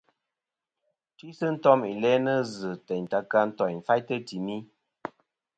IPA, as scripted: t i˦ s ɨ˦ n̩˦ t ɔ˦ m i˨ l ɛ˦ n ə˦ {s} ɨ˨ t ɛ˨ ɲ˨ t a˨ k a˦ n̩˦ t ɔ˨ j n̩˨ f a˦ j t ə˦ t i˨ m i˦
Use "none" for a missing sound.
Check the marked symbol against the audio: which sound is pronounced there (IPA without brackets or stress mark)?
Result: z